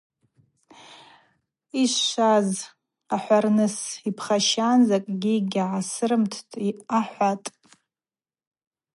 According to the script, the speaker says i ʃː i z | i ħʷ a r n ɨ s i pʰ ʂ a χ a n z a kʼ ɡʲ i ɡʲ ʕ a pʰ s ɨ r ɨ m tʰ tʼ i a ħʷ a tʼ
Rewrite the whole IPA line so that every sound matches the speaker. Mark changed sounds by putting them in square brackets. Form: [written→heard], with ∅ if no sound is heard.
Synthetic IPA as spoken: i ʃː [i→a] z | [i→a] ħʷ a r n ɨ s i pʰ [ʂ→χ] a [χ→ʃ] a n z a kʼ ɡʲ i ɡʲ ʕ a [pʰ→∅] s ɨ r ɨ m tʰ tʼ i a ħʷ a tʼ